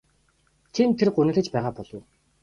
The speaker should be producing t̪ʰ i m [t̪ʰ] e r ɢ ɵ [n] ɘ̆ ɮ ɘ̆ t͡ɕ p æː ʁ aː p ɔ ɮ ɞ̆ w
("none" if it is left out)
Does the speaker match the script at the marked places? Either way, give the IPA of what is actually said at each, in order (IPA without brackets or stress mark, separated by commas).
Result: t̪ʰ, n